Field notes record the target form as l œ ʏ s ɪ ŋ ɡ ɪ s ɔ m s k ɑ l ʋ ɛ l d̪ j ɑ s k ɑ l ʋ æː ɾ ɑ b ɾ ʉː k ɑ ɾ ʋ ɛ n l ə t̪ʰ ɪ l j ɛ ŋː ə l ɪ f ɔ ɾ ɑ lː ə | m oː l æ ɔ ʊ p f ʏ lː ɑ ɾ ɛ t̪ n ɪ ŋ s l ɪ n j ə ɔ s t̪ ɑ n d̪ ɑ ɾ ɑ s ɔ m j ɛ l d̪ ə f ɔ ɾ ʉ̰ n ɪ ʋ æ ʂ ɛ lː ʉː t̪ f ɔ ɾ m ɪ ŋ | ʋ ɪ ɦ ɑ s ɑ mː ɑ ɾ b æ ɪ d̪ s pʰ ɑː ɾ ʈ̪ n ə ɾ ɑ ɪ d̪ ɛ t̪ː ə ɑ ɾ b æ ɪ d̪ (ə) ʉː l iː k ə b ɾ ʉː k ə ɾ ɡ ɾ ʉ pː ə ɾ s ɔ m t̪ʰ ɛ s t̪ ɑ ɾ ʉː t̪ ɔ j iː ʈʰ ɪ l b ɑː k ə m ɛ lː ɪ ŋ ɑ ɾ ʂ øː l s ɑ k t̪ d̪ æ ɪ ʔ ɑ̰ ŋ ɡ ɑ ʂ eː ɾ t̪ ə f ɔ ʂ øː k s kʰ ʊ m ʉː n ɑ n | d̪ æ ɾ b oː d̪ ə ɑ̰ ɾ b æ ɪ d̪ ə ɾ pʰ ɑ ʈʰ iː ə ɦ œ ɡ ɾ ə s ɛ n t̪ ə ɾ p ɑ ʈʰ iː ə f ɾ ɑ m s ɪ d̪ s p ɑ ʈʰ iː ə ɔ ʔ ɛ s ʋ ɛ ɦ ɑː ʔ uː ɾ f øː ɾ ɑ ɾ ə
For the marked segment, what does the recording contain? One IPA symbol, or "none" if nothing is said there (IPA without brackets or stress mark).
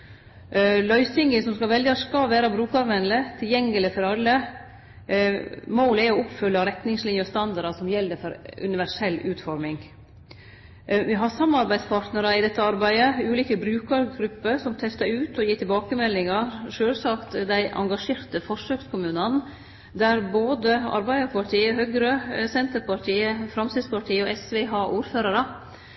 ə